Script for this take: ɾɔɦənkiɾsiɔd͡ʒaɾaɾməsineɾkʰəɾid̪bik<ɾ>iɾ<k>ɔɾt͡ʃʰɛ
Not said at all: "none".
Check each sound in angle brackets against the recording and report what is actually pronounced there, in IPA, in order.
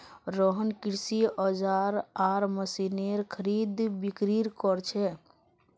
ɾ, k

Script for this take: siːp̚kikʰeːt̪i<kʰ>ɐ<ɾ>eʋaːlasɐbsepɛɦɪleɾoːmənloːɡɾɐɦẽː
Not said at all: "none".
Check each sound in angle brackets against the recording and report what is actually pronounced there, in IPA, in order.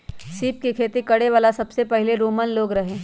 k, ɽ

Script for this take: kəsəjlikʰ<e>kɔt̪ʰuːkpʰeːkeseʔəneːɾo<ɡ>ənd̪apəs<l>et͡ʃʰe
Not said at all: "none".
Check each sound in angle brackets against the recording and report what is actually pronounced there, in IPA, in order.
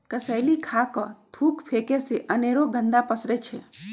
a, ɡ, ɾ

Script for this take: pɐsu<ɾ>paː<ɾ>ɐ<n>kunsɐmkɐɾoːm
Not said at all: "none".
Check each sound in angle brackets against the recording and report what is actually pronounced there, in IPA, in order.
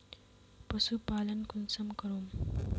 none, l, n

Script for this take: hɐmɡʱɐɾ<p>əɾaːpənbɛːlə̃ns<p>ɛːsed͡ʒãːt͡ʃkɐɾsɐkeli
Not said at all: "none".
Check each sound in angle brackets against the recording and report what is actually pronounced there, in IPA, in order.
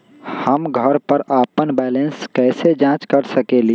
p, k

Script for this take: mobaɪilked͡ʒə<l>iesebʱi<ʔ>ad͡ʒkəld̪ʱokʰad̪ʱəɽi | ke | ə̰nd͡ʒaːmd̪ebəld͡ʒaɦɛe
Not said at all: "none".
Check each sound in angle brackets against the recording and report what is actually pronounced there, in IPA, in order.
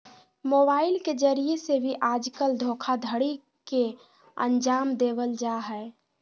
ɾ, ʔ

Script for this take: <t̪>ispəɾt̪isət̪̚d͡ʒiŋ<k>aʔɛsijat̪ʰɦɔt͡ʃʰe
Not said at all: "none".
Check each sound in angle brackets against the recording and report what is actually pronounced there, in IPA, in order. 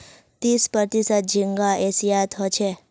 t̪, ɡ

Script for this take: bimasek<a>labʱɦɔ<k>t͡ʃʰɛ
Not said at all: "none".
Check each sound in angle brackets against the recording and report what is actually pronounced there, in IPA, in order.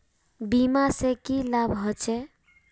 i, none

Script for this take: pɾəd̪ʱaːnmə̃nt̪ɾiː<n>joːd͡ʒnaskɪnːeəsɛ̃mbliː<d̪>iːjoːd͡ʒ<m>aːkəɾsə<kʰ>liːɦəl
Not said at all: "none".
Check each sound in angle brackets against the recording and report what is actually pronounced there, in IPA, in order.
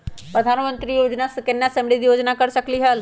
none, d̪, n, k

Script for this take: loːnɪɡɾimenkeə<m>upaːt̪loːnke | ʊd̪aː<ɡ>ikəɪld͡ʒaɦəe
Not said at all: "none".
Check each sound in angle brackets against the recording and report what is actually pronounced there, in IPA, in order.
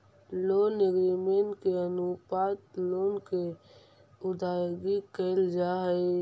n, ɡ

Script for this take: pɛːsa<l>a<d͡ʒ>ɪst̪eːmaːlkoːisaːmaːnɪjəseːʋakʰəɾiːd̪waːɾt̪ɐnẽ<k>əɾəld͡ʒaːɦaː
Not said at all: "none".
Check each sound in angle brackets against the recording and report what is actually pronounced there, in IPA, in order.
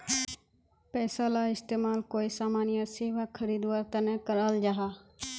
l, none, k

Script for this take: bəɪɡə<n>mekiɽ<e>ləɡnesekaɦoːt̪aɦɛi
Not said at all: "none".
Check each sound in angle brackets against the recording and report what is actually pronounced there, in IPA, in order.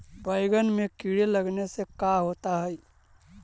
n, e

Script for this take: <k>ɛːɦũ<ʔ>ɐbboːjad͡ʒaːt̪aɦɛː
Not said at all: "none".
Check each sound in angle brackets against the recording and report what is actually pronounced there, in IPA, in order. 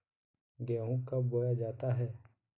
ɡ, k

